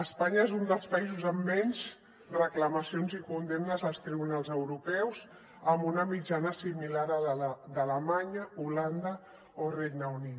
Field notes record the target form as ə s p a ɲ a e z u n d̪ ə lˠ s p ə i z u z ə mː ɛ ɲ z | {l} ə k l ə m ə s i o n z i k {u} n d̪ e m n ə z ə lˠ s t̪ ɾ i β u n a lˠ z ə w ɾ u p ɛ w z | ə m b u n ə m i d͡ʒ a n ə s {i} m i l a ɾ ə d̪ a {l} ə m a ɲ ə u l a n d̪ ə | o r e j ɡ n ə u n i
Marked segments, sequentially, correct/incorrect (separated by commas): incorrect, correct, correct, correct